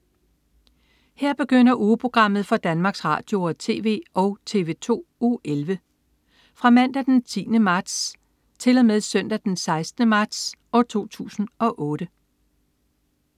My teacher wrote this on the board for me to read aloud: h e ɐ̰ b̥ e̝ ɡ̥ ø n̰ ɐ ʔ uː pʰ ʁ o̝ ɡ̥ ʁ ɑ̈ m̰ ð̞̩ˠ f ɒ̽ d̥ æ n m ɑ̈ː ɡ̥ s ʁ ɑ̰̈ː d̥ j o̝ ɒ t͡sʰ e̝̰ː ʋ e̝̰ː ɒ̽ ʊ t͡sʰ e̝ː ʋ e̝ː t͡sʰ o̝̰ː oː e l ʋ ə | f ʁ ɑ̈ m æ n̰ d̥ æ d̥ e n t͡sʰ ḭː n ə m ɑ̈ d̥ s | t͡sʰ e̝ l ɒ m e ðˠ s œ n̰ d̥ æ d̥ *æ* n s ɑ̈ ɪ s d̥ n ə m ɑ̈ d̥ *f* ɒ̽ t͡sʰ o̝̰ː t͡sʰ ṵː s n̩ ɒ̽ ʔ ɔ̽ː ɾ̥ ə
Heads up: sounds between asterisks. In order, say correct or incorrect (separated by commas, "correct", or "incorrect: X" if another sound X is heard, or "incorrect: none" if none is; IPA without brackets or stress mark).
incorrect: e, incorrect: s